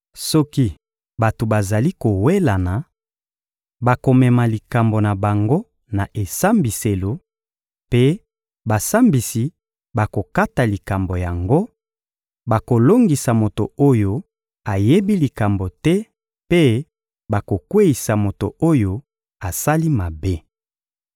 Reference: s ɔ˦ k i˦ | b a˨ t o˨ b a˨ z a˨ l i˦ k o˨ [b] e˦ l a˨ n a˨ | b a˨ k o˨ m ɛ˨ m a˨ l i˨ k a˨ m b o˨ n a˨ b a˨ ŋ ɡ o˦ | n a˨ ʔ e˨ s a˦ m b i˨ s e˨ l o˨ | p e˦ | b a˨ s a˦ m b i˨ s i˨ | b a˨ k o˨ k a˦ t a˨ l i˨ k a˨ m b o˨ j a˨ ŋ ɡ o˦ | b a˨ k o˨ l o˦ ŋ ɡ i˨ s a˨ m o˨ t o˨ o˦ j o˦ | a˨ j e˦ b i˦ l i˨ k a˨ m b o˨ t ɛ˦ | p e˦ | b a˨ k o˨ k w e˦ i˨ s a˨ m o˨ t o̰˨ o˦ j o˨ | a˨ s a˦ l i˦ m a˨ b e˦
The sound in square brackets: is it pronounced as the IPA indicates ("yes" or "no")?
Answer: no